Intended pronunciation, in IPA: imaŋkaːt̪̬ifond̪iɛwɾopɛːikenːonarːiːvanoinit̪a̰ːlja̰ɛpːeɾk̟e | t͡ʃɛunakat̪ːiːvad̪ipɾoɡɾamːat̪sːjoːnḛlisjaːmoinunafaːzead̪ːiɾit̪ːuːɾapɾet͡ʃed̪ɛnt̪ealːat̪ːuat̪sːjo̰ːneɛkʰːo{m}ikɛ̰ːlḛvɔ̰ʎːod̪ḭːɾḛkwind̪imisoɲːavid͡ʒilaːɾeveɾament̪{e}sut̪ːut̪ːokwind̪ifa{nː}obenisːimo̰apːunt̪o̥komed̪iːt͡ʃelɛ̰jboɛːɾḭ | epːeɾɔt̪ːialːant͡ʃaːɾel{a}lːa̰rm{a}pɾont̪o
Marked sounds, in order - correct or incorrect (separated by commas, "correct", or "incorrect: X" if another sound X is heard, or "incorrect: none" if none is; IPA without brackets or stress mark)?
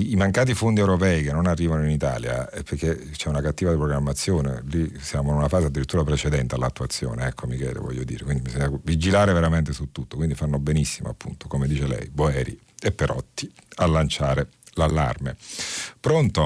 correct, correct, correct, correct, incorrect: e